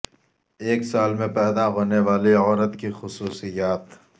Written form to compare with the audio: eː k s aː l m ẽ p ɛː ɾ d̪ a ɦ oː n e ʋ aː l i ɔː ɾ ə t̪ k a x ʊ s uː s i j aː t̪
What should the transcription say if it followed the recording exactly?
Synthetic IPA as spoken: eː k s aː l m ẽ p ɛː d̪ a ɦ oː n e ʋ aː l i ɔː ɾ ə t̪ k i x ʊ s uː s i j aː t̪